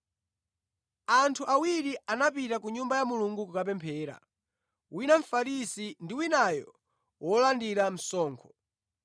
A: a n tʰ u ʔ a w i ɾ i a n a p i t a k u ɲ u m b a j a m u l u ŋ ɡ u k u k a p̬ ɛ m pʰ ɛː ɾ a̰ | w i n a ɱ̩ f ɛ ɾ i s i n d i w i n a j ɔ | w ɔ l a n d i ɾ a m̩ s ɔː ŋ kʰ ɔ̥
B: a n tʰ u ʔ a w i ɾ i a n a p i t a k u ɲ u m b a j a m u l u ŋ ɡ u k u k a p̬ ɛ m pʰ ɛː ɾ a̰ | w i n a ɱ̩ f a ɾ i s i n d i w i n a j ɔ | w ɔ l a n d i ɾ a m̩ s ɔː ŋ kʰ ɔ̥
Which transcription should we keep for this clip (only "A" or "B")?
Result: B